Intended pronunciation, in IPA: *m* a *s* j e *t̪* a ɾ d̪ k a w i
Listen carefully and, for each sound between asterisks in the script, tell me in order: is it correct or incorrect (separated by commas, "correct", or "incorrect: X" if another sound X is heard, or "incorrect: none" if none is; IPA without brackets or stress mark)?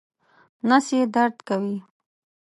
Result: incorrect: n, correct, incorrect: d̪